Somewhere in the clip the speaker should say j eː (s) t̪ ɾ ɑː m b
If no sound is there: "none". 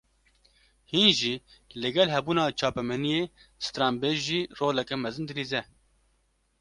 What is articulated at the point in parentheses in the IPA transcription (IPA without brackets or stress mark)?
s